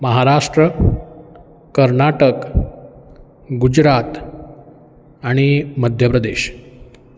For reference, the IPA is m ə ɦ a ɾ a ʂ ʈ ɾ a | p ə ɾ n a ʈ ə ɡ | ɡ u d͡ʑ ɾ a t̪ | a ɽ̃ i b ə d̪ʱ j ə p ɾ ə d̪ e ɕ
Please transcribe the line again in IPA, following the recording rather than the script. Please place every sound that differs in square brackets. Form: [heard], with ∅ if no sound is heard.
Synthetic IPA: m ə ɦ a ɾ a ʂ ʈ ɾ [ə] | [k] ə ɾ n a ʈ ə [k] | ɡ u d͡ʑ ɾ a t̪ | a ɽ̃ i [m] ə d̪ʱ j ə p ɾ ə d̪ e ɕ